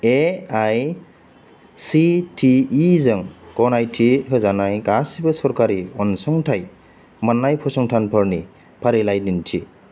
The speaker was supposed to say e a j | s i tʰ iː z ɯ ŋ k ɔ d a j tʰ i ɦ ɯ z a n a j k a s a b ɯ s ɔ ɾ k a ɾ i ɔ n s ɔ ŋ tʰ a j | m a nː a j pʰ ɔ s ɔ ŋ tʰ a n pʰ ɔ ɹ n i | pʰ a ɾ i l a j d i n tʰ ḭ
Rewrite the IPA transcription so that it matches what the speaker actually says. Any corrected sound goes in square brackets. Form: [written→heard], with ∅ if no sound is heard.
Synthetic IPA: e a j | s i tʰ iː z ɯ ŋ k ɔ [d→n] a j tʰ i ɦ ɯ z a n a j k a s [a→i] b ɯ s ɔ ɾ k a ɾ i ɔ n s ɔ ŋ tʰ a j | m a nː a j pʰ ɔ s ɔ ŋ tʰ a n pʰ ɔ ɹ n i | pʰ a ɾ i l a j d i n tʰ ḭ